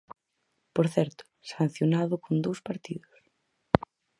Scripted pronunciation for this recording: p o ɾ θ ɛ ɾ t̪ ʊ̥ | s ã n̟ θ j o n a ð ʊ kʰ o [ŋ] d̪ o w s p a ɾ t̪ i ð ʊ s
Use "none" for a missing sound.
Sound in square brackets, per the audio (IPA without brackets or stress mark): n